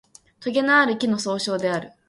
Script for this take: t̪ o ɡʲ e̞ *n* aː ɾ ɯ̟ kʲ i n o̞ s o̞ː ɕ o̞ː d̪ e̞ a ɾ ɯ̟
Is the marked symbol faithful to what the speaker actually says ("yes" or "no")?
yes